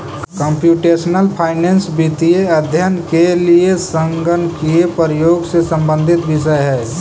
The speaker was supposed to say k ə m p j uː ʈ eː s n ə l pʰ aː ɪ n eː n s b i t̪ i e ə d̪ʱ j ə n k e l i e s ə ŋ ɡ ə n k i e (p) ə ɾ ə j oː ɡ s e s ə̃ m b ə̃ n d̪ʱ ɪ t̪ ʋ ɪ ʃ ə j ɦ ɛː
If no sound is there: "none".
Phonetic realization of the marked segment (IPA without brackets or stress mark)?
p